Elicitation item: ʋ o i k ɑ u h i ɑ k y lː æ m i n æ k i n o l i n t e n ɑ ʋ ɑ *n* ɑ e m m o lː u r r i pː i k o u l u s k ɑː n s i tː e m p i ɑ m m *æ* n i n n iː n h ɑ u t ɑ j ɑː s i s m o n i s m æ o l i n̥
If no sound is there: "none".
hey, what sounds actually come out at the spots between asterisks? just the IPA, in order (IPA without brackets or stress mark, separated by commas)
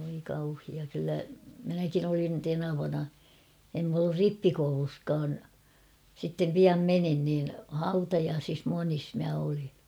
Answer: n, e